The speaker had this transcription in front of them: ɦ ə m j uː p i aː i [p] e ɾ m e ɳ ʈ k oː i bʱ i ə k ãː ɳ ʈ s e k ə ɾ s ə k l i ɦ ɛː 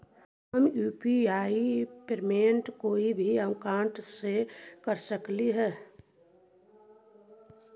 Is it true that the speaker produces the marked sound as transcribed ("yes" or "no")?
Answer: yes